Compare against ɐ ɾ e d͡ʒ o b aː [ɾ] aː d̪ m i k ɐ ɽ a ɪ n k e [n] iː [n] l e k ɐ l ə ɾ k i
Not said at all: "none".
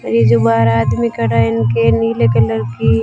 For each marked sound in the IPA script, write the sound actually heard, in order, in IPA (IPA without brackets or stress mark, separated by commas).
ɾ, n, none